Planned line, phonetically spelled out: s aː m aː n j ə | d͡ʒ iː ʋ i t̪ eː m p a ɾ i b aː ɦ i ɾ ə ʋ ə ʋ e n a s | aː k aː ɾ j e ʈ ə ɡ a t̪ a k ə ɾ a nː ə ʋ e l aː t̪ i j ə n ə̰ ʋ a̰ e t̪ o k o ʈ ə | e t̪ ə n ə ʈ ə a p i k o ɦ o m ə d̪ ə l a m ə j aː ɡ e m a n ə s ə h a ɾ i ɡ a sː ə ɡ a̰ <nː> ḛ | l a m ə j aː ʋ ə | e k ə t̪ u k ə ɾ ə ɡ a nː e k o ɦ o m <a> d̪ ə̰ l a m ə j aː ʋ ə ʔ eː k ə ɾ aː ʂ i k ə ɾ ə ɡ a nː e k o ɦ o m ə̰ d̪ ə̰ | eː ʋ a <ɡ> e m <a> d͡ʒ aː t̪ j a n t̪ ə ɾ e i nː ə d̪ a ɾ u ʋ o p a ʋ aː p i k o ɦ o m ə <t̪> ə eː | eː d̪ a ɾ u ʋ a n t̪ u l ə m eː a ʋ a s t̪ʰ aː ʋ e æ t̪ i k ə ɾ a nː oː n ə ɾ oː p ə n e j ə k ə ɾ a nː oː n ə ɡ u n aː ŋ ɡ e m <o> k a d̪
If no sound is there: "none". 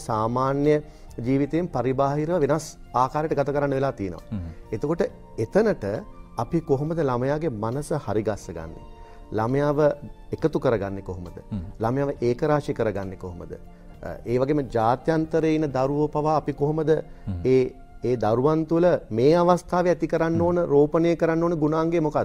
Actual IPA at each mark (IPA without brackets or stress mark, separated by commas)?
nː, ə, ɡ, ə, d̪, o